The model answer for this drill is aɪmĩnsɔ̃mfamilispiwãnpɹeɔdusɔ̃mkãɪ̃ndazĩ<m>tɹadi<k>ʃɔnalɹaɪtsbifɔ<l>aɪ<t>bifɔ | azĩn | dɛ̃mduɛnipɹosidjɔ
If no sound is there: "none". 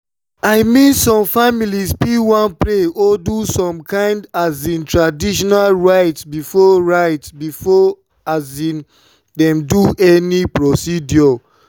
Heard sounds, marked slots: n, none, ɹ, t

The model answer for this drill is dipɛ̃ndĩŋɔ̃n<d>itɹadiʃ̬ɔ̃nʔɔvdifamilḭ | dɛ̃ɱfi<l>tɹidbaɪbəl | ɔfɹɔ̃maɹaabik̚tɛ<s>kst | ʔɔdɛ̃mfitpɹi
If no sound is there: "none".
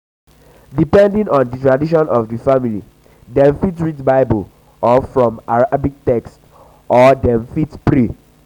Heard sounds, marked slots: d, none, none

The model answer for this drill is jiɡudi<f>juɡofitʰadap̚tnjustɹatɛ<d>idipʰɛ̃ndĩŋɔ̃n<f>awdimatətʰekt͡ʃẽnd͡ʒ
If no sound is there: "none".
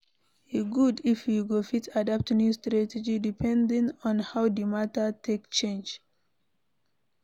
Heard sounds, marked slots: f, d͡ʒ, h

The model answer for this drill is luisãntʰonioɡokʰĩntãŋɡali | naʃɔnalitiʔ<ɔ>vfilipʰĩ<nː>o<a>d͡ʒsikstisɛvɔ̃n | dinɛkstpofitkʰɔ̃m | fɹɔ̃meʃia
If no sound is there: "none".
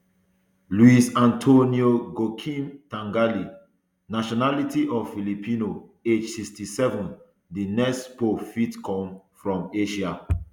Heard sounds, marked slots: ɔ, n, e

